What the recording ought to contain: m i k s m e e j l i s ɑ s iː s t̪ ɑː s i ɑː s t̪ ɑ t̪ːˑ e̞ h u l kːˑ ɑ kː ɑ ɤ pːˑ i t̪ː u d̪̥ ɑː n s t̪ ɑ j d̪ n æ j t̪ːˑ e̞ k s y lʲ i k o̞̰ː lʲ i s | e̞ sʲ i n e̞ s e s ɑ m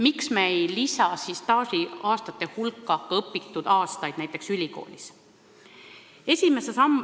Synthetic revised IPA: m i k s m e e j l i s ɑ s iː s t̪ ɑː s i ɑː s t̪ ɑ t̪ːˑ e̞ h u l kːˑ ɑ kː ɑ ɤ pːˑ i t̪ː u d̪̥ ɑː s t̪ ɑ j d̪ n æ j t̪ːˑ e̞ k s y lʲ i k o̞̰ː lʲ i s | e̞ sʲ i m e̞ s e s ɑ m